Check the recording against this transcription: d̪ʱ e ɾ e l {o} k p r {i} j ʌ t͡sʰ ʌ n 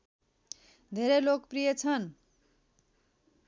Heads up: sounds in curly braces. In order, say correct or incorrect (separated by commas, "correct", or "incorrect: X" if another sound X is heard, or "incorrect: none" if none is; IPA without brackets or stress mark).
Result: correct, correct